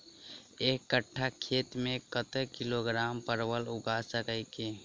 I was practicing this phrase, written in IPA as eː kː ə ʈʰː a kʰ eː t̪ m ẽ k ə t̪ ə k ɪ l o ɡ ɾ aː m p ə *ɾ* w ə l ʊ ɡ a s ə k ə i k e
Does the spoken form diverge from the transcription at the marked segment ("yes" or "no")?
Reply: no